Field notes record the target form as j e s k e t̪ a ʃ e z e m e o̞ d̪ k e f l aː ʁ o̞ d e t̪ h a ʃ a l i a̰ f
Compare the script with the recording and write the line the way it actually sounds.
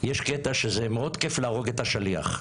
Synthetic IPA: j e ʃ k e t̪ a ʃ e z e m e o̞ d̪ k e f l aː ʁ o̞ ɡ e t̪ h a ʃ a l i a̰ χ